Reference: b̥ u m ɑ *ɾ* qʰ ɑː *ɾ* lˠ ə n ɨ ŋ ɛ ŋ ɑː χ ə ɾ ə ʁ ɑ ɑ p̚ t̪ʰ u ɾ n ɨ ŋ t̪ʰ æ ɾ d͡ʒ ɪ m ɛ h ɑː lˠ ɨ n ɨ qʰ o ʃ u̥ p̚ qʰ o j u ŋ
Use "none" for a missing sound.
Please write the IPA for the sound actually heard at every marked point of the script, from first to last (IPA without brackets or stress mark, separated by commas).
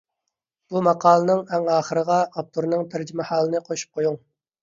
none, none